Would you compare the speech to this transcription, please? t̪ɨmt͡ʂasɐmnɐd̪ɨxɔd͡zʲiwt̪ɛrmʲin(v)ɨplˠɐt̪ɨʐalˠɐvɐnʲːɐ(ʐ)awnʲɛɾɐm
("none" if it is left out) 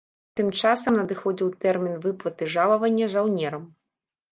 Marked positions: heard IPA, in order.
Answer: v, ʐ

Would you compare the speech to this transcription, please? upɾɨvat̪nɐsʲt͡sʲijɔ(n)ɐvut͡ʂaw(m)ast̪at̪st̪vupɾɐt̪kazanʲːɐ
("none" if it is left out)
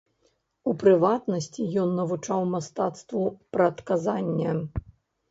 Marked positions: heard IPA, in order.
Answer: nː, m

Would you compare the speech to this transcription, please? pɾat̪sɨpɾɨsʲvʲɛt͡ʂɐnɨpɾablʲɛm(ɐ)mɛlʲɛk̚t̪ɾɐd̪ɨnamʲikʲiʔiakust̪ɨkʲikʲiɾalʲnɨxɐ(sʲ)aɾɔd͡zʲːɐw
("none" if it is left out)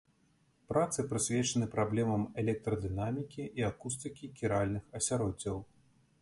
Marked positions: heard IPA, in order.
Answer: ɐ, sʲ

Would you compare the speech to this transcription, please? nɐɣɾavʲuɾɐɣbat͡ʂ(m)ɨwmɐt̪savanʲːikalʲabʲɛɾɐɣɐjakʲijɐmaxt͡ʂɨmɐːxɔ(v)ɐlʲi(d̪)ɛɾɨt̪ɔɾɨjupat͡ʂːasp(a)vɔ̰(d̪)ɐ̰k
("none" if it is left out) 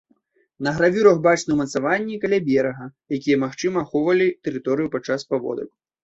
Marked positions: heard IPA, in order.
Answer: n, v, t̪, a, d̪

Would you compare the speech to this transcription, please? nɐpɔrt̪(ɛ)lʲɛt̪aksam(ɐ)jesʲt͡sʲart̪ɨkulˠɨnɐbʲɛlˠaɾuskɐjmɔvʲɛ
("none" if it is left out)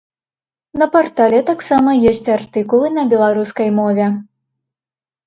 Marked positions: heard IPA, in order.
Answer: a, ɐ

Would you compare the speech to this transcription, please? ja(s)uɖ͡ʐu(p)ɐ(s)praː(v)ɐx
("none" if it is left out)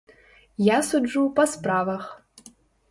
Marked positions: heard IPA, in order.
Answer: s, p, s, v

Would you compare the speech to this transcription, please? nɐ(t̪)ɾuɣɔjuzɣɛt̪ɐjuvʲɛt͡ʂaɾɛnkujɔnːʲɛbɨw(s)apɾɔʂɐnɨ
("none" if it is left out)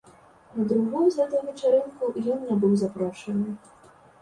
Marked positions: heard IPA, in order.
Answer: d̪, z

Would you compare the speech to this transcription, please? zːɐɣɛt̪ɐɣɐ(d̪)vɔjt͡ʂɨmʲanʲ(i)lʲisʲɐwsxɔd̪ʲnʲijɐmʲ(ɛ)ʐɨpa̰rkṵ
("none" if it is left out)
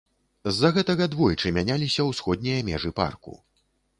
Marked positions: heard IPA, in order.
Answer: d̪, a, ɛ

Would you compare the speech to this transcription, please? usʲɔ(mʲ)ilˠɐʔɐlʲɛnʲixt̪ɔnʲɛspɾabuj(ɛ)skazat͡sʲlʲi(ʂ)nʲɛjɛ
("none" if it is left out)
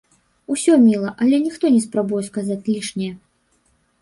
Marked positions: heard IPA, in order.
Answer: mʲ, ɛ, ʂ

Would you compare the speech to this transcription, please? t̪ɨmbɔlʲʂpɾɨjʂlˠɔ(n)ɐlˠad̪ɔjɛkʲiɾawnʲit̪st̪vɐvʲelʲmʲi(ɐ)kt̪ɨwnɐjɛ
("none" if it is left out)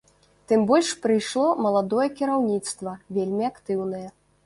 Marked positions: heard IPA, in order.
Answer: m, a

